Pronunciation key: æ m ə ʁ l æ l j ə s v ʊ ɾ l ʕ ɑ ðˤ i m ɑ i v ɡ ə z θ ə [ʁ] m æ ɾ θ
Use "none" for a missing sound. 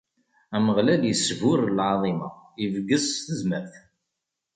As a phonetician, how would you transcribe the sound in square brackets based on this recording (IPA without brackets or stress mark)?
z